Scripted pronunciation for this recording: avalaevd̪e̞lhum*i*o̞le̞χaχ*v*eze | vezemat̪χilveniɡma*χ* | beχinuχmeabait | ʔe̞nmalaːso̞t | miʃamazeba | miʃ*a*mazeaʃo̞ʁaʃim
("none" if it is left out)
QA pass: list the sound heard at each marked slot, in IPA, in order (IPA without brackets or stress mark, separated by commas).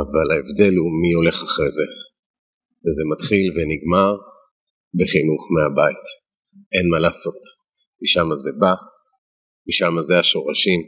i, ʁ, ʁ, a